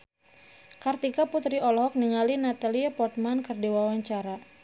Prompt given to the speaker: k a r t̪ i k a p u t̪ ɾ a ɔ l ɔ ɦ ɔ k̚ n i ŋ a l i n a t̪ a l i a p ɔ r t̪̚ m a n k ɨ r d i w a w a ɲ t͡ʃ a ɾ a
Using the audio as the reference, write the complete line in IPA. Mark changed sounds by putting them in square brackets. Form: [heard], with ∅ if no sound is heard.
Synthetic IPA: k a r t̪ i k a p u t̪ ɾ [i] ɔ l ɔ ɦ ɔ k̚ n i ŋ a l i n a t̪ a l i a p ɔ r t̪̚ m a n k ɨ r d i w a w a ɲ t͡ʃ a ɾ a

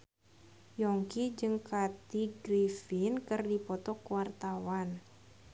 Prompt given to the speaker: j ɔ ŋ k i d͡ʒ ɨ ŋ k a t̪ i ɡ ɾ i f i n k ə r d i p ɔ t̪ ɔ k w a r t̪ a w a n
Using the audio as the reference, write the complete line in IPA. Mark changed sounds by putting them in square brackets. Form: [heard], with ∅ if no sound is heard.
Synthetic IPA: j ɔ ŋ k i d͡ʒ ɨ ŋ k a t̪ i ɡ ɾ i f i n k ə r d i p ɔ t̪ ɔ k w a r t̪ a w a n

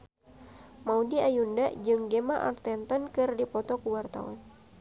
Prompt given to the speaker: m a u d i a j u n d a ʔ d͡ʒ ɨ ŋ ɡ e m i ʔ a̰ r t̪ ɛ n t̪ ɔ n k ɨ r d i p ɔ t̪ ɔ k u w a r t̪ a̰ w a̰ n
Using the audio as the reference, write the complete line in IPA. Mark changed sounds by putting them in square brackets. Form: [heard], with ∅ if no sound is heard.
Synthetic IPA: m a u d i a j u n d a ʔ d͡ʒ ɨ ŋ ɡ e m [a] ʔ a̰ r t̪ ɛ n t̪ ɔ n k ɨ r d i p ɔ t̪ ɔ k u w a r t̪ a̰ w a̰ n

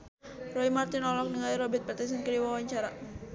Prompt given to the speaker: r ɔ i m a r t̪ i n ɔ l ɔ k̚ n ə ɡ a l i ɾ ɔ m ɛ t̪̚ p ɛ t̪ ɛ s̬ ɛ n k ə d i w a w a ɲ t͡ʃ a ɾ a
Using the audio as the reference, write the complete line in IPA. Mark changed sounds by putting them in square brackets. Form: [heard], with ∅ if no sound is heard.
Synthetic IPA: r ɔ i m a r t̪ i n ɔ l ɔ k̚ n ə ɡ a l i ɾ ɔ [b] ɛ t̪̚ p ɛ t̪ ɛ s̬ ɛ n k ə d i w a w a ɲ t͡ʃ a ɾ a

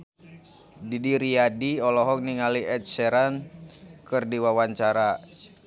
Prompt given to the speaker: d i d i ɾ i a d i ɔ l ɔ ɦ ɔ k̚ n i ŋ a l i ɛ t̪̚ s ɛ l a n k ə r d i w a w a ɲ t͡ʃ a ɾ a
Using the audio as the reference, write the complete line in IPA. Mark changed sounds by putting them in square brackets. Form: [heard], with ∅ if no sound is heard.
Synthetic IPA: d i d i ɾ i a d i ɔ l ɔ ɦ ɔ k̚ n i ŋ a l i ɛ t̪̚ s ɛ [ɾ] a n k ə r d i w a w a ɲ t͡ʃ a ɾ a

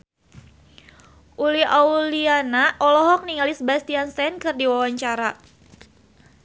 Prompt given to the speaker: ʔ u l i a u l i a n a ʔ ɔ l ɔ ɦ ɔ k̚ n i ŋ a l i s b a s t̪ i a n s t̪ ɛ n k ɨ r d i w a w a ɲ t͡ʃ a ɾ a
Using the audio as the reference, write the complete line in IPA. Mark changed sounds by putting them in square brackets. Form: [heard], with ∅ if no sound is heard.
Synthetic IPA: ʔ u l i a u l i a n a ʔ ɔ l ɔ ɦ ɔ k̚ n i ŋ a l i s b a s t̪ i a n s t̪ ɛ n k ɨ r d i w a w a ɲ t͡ʃ a ɾ a

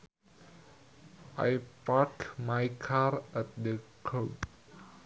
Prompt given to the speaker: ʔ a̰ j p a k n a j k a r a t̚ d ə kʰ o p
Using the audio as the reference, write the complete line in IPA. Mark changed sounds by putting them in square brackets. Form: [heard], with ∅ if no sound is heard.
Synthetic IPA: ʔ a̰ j p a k [m] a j [kʰ] a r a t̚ d ə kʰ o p

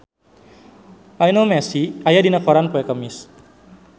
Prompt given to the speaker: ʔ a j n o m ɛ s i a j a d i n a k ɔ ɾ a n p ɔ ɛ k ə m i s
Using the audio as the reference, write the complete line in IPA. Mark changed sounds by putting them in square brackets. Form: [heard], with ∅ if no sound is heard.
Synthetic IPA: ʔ a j n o m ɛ s i a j a d i n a k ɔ ɾ a n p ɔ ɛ k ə m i s

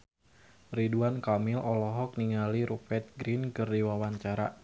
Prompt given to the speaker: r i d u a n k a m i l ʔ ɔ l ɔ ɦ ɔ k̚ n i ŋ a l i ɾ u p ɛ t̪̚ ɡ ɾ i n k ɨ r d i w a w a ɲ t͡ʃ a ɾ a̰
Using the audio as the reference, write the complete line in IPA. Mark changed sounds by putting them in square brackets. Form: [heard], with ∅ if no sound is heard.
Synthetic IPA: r i d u a n k a m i l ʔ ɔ l ɔ ɦ ɔ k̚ n i ŋ a l i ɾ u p ɛ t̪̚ ɡ ɾ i n k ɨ r d i w a w a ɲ t͡ʃ a ɾ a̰

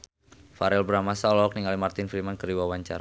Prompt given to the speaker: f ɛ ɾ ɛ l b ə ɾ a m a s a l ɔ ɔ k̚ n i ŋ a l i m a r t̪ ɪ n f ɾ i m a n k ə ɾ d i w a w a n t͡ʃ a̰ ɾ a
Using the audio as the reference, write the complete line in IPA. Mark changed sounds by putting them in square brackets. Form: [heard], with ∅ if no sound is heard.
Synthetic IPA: f [a] ɾ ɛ l b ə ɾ a m a s a l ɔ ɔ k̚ n i ŋ a l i m a r t̪ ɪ n f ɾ i m a n k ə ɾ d i w a w a [ɲ] t͡ʃ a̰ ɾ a

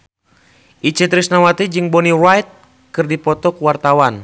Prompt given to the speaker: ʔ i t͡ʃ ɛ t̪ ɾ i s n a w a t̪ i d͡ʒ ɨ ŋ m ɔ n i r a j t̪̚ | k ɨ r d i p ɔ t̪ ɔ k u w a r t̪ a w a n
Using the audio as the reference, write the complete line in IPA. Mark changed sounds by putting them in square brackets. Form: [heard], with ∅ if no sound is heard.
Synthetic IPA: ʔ i t͡ʃ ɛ t̪ ɾ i s n a w a t̪ i d͡ʒ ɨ ŋ [b] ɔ n i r a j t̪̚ | k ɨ r d i p ɔ t̪ ɔ k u w a r t̪ a w a n

